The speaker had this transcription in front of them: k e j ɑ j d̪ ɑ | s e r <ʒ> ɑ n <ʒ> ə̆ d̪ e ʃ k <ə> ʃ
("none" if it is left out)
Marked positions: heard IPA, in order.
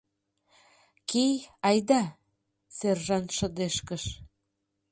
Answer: ʒ, ʃ, ə

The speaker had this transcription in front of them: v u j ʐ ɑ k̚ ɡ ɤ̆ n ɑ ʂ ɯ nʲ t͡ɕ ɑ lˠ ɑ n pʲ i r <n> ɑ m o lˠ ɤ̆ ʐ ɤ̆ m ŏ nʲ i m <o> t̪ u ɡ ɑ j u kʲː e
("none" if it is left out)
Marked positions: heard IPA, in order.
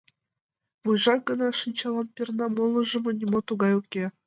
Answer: n, o

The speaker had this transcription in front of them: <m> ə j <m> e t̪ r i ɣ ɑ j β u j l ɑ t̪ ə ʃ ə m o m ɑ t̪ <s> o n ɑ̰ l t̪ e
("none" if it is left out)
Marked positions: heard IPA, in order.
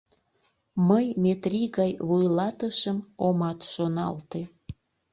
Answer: m, m, ʃ

